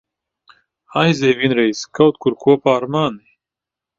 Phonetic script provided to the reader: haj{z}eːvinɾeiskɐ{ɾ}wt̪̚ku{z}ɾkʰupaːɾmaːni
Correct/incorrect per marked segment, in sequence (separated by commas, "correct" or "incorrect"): correct, incorrect, incorrect